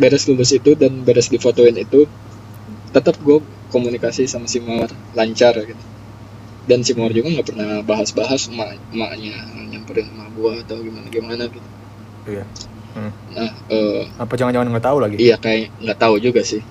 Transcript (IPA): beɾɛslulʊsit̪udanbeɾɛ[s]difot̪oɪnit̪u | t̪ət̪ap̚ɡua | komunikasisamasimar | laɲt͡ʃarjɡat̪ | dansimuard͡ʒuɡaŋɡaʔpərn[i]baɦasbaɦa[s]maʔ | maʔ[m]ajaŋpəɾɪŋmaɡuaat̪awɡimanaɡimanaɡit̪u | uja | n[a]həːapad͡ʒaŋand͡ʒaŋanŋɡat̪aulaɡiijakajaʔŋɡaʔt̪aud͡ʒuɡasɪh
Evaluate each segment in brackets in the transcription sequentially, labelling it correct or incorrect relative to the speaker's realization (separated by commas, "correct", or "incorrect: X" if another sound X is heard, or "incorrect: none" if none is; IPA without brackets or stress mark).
correct, incorrect: a, correct, incorrect: ɲ, correct